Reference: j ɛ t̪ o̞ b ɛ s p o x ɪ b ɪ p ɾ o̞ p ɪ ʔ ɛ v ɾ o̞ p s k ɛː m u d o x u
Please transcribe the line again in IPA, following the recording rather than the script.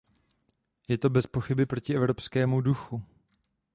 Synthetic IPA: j ɛ t̪ o̞ b ɛ s p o x ɪ b ɪ p ɾ o̞ c ɪ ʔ ɛ v ɾ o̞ p s k ɛː m u d u x u